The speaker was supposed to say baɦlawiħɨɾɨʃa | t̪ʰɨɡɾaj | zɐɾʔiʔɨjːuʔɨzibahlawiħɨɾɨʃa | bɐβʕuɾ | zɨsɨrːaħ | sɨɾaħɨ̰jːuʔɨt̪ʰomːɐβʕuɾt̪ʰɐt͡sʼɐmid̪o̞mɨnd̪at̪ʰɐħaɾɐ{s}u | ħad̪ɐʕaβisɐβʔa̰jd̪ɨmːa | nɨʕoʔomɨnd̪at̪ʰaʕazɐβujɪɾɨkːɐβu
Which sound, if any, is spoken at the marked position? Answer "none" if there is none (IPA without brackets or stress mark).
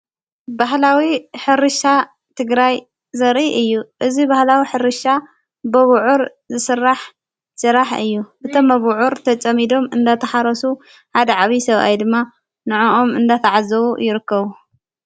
s